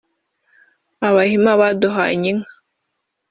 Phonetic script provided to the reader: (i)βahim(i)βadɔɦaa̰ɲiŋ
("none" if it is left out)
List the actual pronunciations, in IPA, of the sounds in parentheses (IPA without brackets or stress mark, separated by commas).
a, a